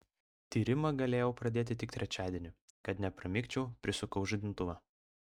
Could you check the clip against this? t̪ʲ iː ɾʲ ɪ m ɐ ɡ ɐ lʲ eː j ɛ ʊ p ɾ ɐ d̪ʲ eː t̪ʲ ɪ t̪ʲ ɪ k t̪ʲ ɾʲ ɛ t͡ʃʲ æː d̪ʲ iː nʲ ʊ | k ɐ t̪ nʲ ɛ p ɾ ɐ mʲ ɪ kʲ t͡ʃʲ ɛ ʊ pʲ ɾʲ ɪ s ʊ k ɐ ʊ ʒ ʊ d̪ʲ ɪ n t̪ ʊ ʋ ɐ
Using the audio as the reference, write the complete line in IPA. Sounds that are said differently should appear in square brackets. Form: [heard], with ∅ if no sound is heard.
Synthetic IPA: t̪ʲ iː ɾʲ ɪ m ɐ ɡ ɐ lʲ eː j ɛ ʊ p ɾ ɐ d̪ʲ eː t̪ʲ ɪ t̪ʲ ɪ k t̪ʲ ɾʲ ɛ t͡ʃʲ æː d̪ʲ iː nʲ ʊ | k ɐ t̪ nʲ ɛ p ɾ ɐ mʲ ɪ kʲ t͡ʃʲ ɛ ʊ pʲ ɾʲ ɪ s ʊ k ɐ ʊ ʒ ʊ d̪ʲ ɪ n t̪ ʊ ʋ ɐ